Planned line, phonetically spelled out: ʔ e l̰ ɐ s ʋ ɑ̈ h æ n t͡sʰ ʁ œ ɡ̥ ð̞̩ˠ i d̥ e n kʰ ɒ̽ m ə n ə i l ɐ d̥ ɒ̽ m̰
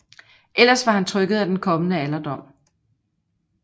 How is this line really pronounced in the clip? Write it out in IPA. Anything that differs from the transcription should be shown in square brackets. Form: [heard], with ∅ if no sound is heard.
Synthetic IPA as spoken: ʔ e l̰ ɐ s ʋ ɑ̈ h æ n t͡sʰ ʁ œ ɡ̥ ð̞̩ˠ [æ] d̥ e n kʰ ɒ̽ m ə n ə [æ] l ɐ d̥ ɒ̽ m̰